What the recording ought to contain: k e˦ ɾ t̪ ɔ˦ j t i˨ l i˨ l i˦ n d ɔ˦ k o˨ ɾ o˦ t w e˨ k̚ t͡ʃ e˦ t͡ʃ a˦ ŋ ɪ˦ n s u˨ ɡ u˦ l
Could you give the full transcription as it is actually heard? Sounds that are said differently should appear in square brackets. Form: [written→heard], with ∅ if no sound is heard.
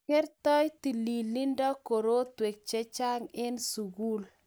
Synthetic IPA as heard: k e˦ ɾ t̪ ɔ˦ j t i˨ l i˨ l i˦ n d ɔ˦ k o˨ ɾ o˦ t w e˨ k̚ t͡ʃ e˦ t͡ʃ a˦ ŋ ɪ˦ n s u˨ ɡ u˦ l